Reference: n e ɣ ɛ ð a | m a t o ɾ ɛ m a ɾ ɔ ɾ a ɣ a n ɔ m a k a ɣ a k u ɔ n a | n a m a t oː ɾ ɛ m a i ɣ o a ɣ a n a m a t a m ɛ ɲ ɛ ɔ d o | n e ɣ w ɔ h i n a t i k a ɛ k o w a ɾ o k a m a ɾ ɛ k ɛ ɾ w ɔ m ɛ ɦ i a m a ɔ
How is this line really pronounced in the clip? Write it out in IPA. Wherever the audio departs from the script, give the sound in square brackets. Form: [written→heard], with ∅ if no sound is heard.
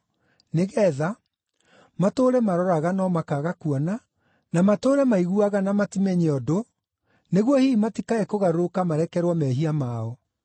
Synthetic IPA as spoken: n e ɣ ɛ ð a | m a t o ɾ ɛ m a ɾ ɔ ɾ a ɣ a n ɔ m a k a ɣ a k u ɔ n a | n a m a t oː ɾ ɛ m a i ɣ [o→u] a ɣ a n a m a t [a→i] m ɛ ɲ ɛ ɔ d o | n e ɣ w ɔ h i [n→m] a t i k a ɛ k o [w→ɣ] a ɾ o k a m a ɾ ɛ k ɛ ɾ w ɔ m ɛ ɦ i a m a ɔ